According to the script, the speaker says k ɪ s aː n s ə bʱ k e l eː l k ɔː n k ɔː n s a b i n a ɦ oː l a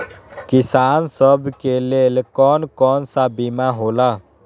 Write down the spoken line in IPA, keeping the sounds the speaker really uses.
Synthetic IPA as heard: k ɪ s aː n s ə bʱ k e l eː l k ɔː n k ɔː n s a b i m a ɦ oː l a